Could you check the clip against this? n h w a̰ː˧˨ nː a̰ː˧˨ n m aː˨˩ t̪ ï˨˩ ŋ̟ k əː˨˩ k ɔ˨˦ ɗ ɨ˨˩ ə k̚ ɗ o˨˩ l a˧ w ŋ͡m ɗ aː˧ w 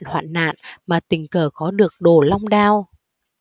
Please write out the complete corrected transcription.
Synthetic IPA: n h w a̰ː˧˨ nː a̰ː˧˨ n m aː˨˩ t̪ ï˨˩ ŋ̟ k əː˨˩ k ɔ˨˦ ɗ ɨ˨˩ ə k̚ ɗ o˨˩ l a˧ w ŋ͡m ɗ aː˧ w